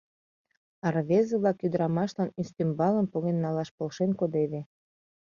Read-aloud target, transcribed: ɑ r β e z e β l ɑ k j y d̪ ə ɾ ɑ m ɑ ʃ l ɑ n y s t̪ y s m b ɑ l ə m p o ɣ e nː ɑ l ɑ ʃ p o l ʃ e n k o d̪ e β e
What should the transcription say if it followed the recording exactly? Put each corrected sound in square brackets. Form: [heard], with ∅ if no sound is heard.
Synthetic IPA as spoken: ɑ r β e z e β l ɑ k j y d̪ ə ɾ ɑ m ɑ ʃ l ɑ n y s t̪ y [∅] m b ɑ l ə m p o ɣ e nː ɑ l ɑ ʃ p o l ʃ e n k o d̪ e β e